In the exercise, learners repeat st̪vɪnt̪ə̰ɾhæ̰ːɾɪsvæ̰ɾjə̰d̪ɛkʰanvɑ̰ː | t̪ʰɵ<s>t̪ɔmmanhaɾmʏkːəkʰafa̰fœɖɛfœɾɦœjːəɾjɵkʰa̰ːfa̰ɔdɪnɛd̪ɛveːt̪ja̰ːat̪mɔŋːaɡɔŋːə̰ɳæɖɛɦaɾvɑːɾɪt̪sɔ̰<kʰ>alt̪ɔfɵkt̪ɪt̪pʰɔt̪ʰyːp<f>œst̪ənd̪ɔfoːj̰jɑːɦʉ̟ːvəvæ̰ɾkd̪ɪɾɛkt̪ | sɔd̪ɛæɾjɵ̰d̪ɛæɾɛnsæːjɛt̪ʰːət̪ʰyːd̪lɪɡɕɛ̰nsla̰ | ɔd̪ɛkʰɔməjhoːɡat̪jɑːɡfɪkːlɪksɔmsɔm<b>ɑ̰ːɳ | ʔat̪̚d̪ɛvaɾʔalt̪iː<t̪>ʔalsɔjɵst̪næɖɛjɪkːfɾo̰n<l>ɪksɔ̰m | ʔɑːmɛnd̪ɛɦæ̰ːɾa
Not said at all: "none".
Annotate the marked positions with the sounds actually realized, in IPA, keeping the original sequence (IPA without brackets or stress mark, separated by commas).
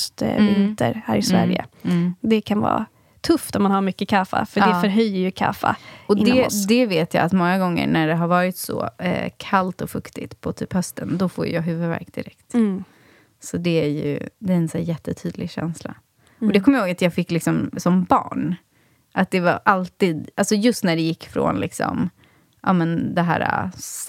f, kʰ, h, b, d̪, l